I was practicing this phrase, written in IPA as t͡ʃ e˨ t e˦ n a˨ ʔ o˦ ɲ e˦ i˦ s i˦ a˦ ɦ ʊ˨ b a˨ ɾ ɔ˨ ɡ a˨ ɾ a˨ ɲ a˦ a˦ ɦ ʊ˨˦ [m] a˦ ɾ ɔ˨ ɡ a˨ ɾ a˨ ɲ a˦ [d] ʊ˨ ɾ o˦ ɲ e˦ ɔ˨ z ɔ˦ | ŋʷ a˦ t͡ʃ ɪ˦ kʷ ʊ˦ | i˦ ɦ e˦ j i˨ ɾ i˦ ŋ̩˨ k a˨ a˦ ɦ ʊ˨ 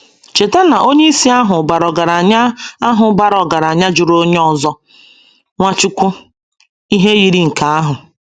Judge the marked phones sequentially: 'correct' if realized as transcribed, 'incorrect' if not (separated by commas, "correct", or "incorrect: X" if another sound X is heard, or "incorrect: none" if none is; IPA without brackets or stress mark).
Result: incorrect: b, incorrect: d͡ʒ